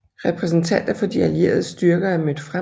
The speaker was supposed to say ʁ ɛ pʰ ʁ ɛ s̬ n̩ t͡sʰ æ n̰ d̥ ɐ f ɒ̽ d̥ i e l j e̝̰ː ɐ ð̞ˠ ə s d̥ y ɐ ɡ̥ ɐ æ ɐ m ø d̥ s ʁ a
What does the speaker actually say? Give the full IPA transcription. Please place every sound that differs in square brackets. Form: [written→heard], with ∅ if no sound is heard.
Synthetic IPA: ʁ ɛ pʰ ʁ ɛ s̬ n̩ t͡sʰ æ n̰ d̥ ɐ f ɒ̽ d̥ i [e→æ] l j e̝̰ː ɐ ð̞ˠ ə s d̥ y ɐ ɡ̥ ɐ æ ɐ m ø d̥ [s→f] ʁ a